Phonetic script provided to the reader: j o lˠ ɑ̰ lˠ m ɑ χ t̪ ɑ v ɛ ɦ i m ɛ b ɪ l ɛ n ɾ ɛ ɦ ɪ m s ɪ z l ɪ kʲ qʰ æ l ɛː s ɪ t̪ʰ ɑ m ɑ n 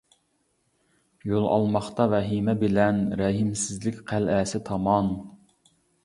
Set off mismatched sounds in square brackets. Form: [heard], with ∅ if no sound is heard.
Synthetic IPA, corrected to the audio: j o lˠ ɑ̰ lˠ m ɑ χ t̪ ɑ v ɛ ɦ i m ɛ b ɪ l ɛ n ɾ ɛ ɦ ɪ m s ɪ z l ɪ kʲ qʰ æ l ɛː s ɪ t̪ʰ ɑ m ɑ n